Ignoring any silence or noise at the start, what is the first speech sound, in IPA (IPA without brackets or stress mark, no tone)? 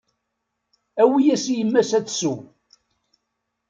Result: æ